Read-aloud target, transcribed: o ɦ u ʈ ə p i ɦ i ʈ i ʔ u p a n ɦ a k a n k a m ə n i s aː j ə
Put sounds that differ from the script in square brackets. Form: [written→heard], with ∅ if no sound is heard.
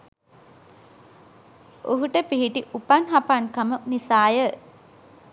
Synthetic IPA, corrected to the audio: o ɦ u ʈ ə p i ɦ i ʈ i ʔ u p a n ɦ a [k→p] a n k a m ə n i s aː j ə